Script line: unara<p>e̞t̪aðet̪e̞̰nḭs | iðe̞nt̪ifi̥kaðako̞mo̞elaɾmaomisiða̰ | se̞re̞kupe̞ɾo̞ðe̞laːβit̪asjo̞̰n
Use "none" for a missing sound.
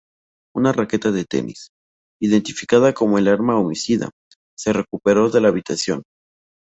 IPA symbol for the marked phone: k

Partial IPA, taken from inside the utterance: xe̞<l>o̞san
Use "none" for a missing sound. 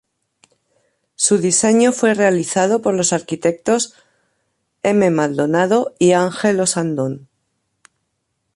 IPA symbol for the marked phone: l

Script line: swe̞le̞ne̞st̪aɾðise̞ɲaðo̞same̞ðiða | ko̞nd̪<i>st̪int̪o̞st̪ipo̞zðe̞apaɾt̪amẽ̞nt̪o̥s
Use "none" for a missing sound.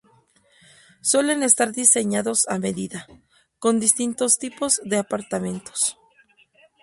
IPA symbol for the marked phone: i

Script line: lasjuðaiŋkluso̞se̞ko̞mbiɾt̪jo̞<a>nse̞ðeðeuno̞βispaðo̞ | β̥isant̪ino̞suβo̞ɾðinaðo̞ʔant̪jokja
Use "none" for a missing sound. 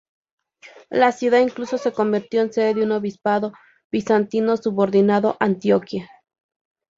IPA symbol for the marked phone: e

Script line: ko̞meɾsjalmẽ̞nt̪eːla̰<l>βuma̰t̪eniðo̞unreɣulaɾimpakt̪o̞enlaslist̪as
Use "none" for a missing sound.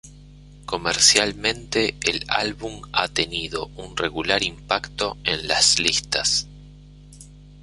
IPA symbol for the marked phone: l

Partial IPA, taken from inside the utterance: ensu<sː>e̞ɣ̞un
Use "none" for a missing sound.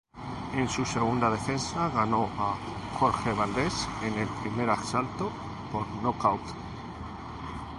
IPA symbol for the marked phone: s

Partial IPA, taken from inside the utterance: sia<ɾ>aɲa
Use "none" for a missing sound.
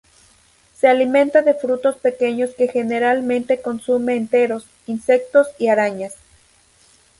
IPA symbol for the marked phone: ɾ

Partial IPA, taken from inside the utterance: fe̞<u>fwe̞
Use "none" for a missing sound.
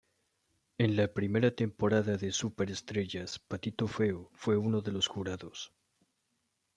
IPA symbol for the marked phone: o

